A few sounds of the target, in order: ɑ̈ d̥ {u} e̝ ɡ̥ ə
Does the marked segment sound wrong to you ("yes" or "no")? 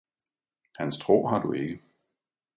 no